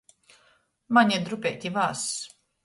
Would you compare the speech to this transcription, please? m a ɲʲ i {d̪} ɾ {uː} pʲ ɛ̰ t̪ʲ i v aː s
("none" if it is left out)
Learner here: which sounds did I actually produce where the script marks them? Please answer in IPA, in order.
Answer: d̪, u

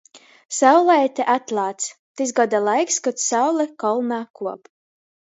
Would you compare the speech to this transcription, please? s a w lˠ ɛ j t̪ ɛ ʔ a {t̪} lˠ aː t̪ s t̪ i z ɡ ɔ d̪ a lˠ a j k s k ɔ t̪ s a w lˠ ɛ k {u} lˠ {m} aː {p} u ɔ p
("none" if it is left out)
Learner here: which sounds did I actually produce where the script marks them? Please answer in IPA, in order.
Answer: t̪, ɔ, n, k

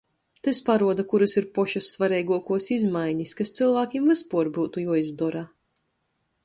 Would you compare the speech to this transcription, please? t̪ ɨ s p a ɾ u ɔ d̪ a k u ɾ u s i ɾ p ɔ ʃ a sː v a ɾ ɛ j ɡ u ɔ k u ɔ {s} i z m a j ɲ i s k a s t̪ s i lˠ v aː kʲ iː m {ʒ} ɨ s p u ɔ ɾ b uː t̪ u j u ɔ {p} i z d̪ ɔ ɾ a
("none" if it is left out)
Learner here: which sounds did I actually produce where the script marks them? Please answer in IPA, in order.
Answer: s, v, none

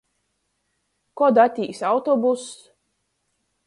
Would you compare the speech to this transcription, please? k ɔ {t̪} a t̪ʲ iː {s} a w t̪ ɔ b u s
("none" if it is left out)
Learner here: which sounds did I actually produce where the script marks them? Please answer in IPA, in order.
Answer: d̪, s

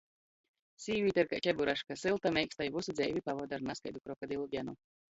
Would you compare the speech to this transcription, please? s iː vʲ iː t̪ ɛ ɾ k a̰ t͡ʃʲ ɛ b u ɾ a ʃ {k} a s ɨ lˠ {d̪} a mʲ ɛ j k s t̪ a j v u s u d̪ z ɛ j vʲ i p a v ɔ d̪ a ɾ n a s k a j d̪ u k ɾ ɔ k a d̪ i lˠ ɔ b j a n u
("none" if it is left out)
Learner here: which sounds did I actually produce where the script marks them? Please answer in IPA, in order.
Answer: k, t̪

